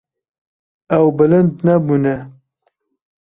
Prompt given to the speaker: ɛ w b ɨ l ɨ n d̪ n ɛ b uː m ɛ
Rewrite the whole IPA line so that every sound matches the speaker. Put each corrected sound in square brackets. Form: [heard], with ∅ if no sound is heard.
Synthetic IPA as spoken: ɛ w b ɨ l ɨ n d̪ n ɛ b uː [n] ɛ